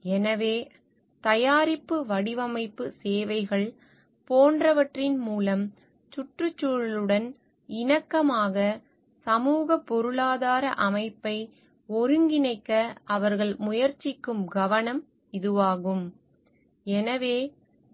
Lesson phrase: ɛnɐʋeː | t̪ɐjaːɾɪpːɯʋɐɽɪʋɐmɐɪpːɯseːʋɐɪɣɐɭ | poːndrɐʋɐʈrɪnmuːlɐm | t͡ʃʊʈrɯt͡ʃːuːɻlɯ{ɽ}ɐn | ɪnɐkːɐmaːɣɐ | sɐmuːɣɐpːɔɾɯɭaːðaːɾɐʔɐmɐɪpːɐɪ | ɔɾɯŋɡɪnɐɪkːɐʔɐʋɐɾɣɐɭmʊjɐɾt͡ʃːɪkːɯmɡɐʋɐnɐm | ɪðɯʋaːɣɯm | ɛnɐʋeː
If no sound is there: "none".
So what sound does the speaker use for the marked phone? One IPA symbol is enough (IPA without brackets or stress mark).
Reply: ɽ